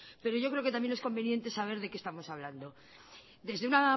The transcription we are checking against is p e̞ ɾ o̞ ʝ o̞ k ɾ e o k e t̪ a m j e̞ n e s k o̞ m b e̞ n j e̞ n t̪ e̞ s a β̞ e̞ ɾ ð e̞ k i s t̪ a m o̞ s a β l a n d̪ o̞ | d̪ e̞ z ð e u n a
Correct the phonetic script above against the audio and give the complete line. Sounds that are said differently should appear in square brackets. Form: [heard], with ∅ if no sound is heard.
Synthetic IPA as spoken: p e̞ ɾ o̞ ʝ o̞ k ɾ e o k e t̪ a m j e̞ n e s k o̞ m b e̞ n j e̞ n t̪ e̞ s a β̞ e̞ ɾ ð e̞ k [e] s t̪ a m o̞ s a β l a n d̪ o̞ | d̪ e̞ z ð e u n a